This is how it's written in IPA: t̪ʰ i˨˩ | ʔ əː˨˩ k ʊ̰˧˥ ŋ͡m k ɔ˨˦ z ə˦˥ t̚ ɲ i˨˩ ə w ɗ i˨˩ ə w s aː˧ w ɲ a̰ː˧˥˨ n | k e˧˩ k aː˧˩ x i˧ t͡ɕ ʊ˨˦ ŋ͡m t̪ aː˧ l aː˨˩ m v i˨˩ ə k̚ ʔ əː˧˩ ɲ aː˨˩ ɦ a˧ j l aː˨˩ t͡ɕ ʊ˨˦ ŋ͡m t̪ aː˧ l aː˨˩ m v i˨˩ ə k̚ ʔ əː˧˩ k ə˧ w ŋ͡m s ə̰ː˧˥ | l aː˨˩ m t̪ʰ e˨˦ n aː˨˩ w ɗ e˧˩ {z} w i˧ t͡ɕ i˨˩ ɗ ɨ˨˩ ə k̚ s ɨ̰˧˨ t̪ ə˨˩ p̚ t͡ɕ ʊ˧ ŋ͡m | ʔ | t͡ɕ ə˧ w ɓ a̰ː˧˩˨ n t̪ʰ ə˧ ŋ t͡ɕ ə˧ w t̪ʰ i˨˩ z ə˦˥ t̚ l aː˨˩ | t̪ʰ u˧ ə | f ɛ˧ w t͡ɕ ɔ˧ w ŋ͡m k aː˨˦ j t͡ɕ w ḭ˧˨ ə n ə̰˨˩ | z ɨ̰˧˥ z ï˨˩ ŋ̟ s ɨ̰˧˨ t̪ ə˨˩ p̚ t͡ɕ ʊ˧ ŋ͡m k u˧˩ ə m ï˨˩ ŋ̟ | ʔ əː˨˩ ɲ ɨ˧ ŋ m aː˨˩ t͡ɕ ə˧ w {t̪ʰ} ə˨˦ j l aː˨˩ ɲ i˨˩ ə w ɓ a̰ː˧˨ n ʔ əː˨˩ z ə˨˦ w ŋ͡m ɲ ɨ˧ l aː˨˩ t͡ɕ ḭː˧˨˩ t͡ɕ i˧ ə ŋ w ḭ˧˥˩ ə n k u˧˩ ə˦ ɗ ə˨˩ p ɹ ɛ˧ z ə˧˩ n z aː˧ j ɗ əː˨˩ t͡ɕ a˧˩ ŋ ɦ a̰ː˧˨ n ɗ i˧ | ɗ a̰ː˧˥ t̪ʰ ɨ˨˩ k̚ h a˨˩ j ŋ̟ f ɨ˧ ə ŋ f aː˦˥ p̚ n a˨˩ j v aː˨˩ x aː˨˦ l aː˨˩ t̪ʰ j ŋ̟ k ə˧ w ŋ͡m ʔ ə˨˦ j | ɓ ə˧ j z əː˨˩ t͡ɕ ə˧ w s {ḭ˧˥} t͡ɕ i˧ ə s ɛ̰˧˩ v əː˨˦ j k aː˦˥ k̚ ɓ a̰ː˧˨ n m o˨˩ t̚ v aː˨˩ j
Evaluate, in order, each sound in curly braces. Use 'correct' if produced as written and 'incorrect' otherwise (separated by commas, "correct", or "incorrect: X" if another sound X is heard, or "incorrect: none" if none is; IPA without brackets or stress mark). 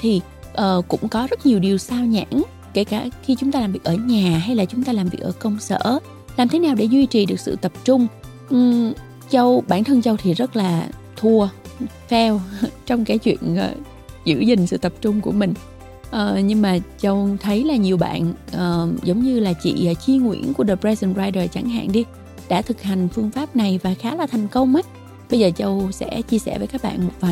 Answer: correct, correct, incorrect: ɛ̰˧˥